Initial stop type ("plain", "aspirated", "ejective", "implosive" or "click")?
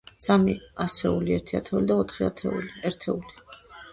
aspirated